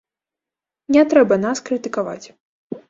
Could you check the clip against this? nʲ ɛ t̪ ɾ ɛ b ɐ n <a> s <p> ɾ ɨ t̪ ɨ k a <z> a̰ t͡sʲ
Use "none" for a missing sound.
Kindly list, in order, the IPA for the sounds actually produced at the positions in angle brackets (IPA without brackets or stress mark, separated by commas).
a, k, v